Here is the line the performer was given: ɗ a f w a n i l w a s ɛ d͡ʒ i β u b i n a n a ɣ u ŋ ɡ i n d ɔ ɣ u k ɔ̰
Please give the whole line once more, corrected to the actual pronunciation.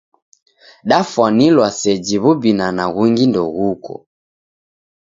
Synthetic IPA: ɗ a f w a n i l w a s ɛ d͡ʒ i β u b i n a n a ɣ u ŋ ɡ i n d ɔ ɣ u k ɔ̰